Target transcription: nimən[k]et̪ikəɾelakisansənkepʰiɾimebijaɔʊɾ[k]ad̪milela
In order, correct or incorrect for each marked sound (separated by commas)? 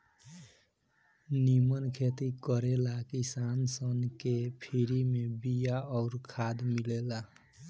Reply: incorrect, incorrect